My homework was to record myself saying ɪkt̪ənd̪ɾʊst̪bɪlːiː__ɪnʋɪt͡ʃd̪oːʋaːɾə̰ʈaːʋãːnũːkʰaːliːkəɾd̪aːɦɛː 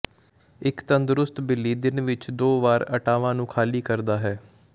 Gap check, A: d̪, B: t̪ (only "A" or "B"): A